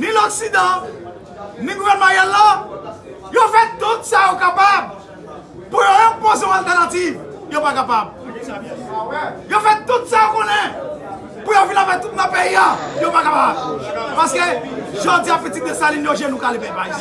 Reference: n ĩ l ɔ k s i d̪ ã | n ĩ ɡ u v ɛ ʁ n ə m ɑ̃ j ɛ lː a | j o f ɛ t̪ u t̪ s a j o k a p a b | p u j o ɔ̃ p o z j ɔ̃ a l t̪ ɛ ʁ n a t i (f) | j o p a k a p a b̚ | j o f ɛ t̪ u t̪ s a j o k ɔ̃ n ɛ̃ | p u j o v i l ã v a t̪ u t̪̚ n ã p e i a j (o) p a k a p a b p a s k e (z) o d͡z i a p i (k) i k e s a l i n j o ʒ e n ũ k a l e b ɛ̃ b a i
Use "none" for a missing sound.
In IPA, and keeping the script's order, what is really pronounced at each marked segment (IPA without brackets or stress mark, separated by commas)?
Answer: v, o, ʒ, t